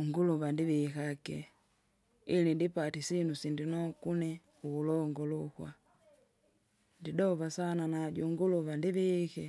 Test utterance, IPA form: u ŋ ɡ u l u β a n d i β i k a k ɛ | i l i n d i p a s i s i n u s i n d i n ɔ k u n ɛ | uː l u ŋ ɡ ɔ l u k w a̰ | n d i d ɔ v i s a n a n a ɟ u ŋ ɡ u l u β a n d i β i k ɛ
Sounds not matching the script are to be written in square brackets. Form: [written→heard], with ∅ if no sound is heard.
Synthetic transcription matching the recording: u ŋ ɡ u l u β a n d i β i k a k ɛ | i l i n d i p a [s→t] i s i n u s i n d i n ɔ k u n ɛ | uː l [u→ɔ] ŋ ɡ ɔ l u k w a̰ | n d i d ɔ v [i→a] s a n a n a ɟ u ŋ ɡ u l u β a n d i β i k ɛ

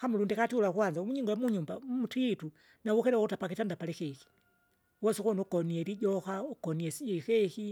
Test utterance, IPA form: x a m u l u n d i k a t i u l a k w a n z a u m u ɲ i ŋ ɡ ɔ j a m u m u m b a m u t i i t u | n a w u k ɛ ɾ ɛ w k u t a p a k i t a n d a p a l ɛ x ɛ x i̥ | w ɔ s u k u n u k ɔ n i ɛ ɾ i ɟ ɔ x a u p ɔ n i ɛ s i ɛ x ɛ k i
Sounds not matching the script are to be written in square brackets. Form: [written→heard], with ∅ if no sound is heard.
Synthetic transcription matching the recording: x a m u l u n d i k a t i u l a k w a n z a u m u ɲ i ŋ ɡ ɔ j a m u [m→ɲ] u m b a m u t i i t u | n a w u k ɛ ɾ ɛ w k u t a p a k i t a n d a p a l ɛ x ɛ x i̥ | w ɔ s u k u n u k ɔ n i ɛ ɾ i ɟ ɔ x a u [p→k] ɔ n i ɛ s i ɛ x ɛ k i

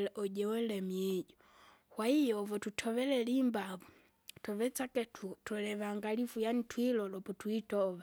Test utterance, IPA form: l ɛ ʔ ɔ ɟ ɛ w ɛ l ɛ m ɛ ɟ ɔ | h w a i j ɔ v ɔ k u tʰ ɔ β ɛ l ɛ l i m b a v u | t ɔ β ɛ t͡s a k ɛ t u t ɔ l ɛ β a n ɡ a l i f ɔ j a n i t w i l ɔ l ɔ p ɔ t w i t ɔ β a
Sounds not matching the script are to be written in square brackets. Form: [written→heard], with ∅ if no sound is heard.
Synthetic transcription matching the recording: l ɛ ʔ ɔ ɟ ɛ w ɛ l ɛ m ɛ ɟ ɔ | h w a i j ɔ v ɔ [k→t] u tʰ ɔ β ɛ l ɛ l i m b a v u | t ɔ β ɛ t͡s a k ɛ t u t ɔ l ɛ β a [n→ŋ] ɡ a l i f [ɔ→u] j a n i t w i l ɔ l ɔ p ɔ t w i t ɔ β a

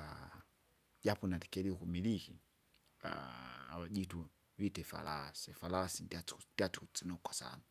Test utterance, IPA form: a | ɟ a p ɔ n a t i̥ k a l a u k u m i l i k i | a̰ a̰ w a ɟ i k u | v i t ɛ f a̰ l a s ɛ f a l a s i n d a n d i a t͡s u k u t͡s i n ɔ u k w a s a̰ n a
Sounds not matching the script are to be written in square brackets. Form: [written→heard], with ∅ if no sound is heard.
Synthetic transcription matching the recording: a | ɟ a p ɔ n a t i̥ k [a→ɛ] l [a→i] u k u m i l i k i | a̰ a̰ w a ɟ i [k→t] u | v i t ɛ f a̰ l a s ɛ f a l a s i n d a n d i a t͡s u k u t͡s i n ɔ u k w a s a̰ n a

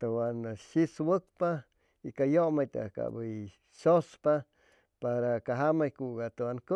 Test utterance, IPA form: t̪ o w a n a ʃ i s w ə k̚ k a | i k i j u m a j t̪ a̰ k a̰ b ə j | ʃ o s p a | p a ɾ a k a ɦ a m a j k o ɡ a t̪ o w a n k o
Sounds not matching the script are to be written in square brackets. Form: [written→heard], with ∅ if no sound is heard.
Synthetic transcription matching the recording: t̪ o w a n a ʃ i s w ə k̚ [k→p] a | i k [i→a] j [u→o] m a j t̪ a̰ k a̰ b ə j | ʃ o s p a | p a ɾ a k a ɦ a m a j k [o→u] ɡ a t̪ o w a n k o

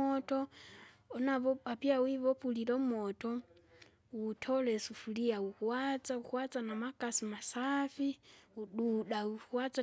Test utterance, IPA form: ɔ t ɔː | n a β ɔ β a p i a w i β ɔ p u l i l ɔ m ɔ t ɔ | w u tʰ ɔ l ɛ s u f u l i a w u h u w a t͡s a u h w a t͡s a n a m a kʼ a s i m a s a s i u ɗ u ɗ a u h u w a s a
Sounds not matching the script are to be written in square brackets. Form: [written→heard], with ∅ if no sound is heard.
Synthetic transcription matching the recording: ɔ t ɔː | n a β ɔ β a p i a w i β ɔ p u l i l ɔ m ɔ t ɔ | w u tʰ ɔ l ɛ s u f u l i a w u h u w a t͡s a u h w a t͡s a n a m a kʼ a s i m a s a [s→f] i u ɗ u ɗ a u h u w a [s→t͡s] a

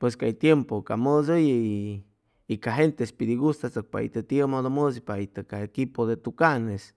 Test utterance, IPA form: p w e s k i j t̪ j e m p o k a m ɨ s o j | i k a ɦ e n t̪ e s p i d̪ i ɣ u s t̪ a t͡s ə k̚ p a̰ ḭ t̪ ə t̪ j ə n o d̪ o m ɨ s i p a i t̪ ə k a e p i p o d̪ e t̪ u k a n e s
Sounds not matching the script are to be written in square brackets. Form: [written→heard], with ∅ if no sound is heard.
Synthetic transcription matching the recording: p w e s k [i→a] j t̪ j e m p o k a m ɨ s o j | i k a ɦ e n t̪ e s p i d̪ i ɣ u s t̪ a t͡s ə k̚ p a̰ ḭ t̪ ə t̪ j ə [n→m] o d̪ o m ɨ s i p a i t̪ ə k a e [p→k] i p o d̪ e t̪ u k a n e s

